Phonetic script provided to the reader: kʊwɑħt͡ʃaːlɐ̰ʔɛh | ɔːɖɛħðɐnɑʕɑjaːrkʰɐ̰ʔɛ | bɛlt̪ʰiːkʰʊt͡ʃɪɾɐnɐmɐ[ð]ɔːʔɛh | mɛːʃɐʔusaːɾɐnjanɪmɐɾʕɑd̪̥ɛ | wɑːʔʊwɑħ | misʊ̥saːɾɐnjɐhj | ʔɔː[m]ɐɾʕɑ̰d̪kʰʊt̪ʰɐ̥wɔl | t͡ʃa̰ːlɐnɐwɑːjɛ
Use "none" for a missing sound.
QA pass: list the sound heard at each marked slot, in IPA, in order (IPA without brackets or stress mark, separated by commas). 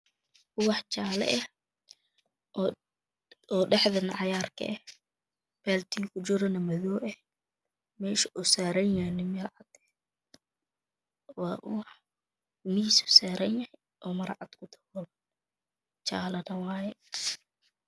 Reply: ð, m